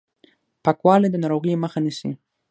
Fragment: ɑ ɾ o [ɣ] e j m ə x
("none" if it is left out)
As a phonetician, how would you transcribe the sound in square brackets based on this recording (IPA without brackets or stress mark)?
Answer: ɣ